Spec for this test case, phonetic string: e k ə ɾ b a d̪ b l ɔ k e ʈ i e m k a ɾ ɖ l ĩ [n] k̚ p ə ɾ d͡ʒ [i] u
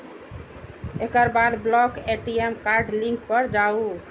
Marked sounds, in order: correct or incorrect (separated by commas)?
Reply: incorrect, incorrect